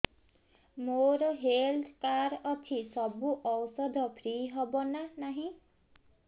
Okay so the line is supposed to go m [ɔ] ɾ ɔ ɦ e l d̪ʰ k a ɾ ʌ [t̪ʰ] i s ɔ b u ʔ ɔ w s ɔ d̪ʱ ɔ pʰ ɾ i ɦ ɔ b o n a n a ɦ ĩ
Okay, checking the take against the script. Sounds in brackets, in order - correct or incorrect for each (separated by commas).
incorrect, correct